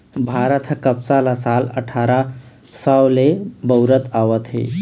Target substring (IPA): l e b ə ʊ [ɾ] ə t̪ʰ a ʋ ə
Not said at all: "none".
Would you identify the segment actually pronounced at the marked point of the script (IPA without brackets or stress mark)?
ɾ